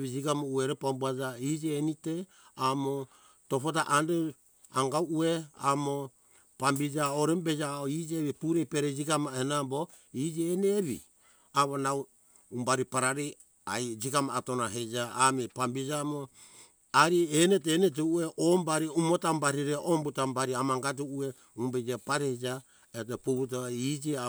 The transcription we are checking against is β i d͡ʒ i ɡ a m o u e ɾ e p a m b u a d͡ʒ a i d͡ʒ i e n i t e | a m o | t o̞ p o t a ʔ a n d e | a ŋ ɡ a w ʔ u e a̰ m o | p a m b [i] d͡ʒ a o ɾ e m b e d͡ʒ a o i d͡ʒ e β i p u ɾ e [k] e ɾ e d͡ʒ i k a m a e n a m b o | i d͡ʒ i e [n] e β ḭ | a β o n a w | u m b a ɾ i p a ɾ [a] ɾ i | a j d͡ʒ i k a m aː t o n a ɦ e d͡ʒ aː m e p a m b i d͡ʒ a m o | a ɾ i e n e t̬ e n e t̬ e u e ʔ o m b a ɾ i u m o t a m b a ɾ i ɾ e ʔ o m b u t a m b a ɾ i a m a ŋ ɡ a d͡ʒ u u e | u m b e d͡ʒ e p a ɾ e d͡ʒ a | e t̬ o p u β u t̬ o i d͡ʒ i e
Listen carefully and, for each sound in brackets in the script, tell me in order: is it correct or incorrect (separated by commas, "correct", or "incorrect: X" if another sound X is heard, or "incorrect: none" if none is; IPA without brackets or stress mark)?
correct, incorrect: p, correct, correct